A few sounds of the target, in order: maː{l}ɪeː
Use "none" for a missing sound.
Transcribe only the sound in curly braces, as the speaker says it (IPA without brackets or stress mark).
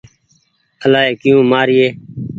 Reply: ɾ